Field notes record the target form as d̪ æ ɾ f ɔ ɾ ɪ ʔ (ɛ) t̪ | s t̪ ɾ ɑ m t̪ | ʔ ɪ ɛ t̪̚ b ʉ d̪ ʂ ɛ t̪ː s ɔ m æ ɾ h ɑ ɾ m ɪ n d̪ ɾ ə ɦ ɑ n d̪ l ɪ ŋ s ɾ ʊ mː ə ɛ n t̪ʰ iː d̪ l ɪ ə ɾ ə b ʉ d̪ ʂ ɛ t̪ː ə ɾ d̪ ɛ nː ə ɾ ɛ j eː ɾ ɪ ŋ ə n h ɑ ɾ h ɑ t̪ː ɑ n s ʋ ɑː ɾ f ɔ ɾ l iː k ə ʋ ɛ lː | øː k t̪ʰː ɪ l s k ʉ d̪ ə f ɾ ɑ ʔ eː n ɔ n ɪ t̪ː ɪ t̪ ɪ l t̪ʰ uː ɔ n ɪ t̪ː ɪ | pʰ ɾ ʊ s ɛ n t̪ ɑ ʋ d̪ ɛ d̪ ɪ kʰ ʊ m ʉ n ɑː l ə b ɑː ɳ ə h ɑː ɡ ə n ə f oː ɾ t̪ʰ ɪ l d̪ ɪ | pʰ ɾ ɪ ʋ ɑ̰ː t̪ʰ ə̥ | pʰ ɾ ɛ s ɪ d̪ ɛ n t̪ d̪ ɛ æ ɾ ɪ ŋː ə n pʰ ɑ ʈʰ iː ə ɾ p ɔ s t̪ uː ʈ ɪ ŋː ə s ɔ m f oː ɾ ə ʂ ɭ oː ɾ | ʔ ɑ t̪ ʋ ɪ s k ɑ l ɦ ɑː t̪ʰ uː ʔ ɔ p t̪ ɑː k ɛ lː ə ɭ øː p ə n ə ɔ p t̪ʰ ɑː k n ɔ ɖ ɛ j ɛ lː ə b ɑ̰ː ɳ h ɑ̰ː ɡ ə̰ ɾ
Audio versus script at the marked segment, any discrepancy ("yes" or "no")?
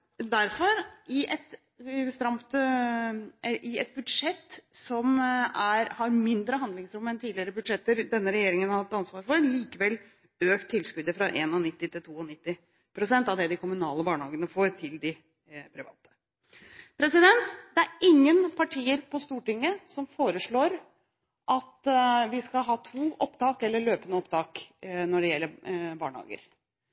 no